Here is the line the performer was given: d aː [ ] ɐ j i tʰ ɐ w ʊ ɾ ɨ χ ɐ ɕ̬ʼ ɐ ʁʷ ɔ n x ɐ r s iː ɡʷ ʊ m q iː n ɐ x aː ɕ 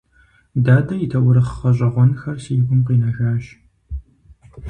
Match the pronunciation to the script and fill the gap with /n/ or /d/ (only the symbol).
d